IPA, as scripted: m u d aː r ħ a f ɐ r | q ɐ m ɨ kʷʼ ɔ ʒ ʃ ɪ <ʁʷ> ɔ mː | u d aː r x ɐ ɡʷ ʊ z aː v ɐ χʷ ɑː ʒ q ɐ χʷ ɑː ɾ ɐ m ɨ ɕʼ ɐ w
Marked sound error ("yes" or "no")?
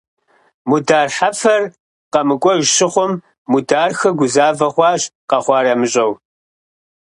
yes